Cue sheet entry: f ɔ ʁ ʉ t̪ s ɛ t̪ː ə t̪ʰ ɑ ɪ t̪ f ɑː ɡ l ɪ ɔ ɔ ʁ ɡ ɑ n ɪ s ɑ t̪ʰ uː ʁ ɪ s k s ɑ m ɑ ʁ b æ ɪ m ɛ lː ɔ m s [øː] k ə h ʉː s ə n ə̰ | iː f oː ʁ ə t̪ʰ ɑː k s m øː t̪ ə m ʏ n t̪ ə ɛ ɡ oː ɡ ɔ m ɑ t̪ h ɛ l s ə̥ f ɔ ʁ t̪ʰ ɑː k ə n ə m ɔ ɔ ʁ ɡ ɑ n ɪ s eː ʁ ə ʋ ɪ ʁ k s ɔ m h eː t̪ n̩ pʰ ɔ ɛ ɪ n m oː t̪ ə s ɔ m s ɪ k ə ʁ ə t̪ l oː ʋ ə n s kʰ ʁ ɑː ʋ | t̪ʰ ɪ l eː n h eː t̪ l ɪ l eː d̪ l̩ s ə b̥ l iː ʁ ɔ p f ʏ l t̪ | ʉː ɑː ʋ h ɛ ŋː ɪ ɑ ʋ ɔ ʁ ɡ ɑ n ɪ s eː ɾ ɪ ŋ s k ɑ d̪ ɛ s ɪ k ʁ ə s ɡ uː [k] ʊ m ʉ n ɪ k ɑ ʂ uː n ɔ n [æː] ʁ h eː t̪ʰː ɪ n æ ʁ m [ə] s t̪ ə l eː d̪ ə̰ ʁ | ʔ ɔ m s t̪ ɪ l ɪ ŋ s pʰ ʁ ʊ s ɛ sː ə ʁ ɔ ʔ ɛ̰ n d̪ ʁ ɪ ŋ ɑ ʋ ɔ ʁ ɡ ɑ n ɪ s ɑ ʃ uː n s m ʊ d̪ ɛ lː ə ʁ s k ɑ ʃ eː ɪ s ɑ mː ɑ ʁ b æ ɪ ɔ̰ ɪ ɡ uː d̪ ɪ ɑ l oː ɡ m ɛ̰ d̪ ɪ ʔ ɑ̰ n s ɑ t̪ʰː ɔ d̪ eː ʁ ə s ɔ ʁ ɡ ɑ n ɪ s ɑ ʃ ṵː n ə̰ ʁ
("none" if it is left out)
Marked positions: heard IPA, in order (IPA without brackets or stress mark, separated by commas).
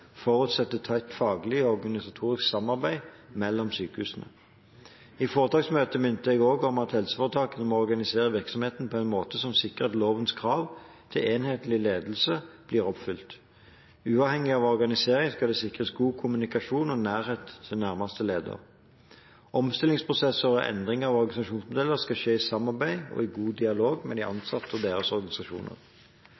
yː, kʰ, æː, ɑ